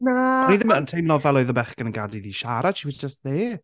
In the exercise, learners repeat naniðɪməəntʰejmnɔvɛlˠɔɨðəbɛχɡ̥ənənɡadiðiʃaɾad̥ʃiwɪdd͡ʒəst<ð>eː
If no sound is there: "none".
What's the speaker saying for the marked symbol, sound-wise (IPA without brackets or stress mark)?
ð